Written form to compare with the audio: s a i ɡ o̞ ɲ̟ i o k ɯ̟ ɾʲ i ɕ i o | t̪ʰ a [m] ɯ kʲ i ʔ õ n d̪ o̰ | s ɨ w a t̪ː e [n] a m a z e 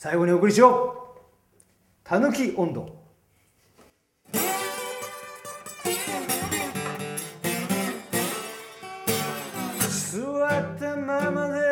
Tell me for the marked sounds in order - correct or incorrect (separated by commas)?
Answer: incorrect, incorrect